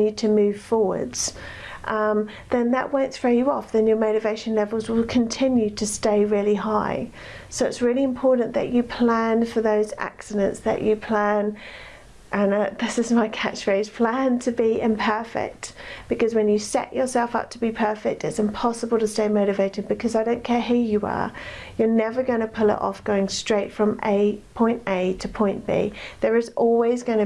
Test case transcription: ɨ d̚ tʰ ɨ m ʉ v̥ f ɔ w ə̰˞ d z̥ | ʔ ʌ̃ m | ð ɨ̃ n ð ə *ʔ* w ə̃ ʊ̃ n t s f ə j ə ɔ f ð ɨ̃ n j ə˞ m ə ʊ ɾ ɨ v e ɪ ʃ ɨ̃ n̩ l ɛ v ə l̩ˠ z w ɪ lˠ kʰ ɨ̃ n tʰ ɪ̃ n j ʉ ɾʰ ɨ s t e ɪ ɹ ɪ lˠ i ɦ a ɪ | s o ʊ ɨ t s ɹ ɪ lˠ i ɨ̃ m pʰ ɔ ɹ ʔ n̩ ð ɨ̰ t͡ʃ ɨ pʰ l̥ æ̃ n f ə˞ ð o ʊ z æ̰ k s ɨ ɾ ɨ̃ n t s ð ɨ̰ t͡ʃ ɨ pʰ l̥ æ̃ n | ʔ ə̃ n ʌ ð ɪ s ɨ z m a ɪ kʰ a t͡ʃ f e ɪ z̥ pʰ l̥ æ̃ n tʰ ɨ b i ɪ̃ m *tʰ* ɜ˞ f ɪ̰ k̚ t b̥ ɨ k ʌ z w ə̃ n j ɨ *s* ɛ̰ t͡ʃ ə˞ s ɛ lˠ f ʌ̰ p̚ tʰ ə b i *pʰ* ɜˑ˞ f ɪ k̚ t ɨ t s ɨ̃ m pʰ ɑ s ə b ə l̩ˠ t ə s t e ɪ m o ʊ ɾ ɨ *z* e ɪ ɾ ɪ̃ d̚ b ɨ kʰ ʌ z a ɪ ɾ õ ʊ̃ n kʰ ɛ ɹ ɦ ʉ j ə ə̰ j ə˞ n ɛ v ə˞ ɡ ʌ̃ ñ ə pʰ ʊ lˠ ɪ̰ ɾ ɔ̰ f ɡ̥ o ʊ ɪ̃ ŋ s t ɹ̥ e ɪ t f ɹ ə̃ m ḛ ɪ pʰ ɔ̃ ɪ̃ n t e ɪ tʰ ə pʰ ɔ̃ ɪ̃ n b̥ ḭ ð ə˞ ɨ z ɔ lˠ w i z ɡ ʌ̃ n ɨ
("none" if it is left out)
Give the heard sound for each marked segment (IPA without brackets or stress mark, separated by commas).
ʔ, pʰ, s, pʰ, v